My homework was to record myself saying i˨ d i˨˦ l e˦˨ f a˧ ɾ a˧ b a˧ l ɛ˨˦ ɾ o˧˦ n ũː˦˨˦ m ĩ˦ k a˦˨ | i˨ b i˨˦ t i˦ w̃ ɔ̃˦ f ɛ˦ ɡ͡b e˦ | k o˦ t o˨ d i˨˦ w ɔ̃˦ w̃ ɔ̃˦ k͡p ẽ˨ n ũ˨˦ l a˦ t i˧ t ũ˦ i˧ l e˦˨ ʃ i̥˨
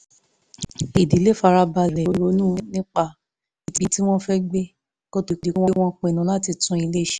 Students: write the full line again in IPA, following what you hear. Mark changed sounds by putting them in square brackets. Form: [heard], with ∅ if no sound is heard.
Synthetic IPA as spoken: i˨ d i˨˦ l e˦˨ f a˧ ɾ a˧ b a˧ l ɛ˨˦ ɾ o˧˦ n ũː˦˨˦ [n] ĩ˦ [k͡p] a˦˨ | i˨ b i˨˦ t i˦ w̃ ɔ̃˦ f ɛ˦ ɡ͡b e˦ | k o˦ t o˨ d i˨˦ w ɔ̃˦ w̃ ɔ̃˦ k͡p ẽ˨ n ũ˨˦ l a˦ t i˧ t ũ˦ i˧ l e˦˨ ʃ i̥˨